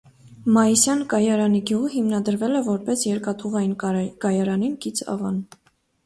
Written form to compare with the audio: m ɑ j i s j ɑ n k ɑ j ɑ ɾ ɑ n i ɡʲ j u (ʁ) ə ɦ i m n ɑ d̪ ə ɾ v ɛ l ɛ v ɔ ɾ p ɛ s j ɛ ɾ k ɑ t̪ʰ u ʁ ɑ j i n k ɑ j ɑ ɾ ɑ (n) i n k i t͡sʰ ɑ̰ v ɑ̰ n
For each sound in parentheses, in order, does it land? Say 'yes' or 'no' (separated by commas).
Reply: yes, yes